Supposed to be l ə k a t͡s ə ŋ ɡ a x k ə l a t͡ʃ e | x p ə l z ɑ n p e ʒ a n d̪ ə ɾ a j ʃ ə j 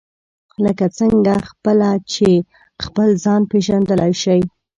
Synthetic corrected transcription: l ə k a t͡s ə ŋ ɡ a x p ə l a t͡ʃ e | x p ə l z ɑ n p e ʒ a n d̪ ə l a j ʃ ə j

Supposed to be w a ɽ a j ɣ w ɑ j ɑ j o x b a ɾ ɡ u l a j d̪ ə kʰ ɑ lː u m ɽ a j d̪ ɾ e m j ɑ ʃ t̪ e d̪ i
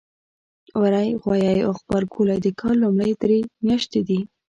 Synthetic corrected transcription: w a ɾ a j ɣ w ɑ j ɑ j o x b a ɾ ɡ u l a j d̪ ə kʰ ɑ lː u m ɽ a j d̪ ɾ e m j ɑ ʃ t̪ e d̪ i

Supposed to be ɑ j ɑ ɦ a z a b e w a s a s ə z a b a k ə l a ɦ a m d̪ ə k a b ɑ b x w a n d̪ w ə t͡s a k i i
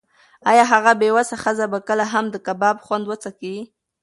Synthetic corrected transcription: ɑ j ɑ ɦ a ɣ a b e w a s a x ə z a b a k ə l a ɦ a m d̪ ə k a b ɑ b x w a n d̪ w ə t͡s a k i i

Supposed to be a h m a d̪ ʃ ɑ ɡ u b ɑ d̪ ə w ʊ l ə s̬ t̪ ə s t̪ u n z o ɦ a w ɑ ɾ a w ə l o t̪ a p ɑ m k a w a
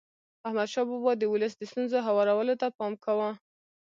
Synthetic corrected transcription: a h m a d̪ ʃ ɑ b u b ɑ d̪ ə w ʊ l ə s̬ d̪ ə s t̪ u n z o ɦ a w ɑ ɾ a w ə l o t̪ a p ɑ m k a w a

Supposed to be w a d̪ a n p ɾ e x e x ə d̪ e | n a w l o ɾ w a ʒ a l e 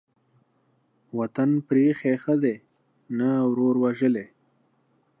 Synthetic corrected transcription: w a t̪ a n p ɾ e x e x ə d̪ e | n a w ɾ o ɾ w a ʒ ə l e

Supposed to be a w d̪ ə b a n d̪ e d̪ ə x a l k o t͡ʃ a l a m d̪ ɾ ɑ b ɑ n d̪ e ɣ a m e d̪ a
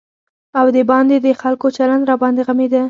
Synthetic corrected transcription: a w d̪ ə b ɑ n d̪ e d̪ ə x a l k o t͡ʃ a l a n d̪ ɾ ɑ b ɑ n d̪ e ɣ a m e d̪ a

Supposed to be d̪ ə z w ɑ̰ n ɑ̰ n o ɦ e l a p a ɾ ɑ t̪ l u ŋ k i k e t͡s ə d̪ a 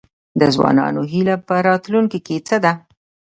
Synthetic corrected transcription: d̪ ə z w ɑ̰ n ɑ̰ n o ɦ i l a p ə ɾ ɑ t̪ l u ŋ k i k e t͡s ə d̪ a

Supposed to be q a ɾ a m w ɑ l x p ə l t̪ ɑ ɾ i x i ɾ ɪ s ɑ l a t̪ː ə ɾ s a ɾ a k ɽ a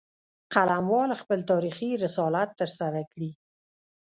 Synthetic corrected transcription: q a l a m w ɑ l x p ə l t̪ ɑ ɾ i x i ɾ ɪ s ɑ l a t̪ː ə ɾ s a ɾ a k ɽ i

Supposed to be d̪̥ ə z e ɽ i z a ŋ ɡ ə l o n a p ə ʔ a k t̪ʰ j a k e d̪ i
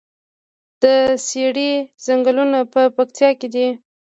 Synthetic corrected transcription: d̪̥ ə s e ɽ i z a ŋ ɡ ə l u n a p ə p a k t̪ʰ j ɑ k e d̪ i

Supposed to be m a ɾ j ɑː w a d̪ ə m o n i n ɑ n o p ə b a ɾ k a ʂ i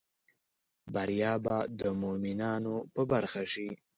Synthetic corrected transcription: b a ɾ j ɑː b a d̪ ə m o m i n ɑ n o p ə b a ɾ x a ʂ i

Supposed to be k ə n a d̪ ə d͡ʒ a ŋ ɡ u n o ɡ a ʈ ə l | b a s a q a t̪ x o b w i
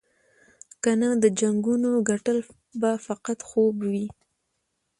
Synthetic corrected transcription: k a n a d̪ ə d͡ʒ a ŋ ɡ u n o ɡ a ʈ ə l | b a f a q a t̪ x o b w i

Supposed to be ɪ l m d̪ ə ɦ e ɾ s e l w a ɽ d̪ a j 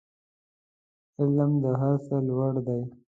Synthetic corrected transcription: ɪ l m d̪ ə ɦ a ɾ s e l w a ɽ d̪ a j

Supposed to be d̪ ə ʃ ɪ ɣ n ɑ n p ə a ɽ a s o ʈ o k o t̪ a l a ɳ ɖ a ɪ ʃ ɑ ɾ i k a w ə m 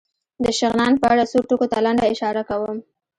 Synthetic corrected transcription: d̪ ə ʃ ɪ ɣ n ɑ n p ə a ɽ a s o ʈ o k o t̪ a l a ɳ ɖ a ɪ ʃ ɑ ɾ a k a w ə m

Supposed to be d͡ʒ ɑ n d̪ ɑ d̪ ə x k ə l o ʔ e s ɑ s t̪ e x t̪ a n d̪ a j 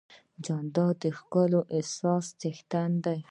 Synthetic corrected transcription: d͡ʒ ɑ n d̪ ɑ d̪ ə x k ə l o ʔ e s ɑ s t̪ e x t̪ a n d̪ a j

